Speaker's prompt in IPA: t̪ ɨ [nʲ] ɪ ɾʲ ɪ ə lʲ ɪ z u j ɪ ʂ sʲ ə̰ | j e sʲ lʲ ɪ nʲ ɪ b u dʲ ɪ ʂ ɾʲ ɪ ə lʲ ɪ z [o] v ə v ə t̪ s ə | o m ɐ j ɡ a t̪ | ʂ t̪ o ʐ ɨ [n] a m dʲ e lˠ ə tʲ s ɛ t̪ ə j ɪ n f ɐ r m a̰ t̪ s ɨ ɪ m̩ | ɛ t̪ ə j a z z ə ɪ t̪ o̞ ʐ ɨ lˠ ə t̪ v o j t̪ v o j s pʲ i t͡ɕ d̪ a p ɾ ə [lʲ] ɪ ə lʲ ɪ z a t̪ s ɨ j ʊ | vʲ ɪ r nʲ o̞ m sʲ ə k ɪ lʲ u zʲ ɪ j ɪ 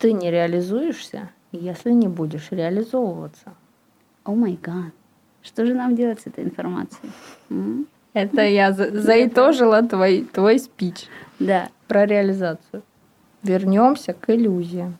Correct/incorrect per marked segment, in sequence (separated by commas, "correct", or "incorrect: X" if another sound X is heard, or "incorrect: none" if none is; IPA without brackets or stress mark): correct, correct, correct, incorrect: ɾʲ